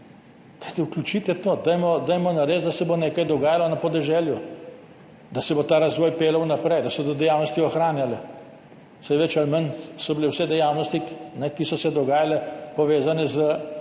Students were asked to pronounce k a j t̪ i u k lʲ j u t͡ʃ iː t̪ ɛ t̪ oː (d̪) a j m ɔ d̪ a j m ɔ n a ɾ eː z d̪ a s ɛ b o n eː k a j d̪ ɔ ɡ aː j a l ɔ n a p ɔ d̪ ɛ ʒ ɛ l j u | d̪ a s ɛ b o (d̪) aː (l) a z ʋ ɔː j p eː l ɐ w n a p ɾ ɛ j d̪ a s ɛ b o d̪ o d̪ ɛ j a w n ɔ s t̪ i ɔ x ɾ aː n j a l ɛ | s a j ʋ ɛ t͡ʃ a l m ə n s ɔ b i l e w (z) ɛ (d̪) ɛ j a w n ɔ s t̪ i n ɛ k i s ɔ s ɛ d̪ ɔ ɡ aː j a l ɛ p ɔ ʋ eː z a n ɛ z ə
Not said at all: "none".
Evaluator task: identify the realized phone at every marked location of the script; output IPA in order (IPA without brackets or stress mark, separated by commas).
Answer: d̪, t̪, ɾ, s, d̪